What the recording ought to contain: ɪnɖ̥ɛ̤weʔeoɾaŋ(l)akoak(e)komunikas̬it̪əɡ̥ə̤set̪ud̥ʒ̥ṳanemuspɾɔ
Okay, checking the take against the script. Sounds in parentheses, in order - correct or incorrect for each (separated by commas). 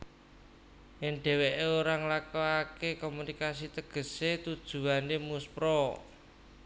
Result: correct, correct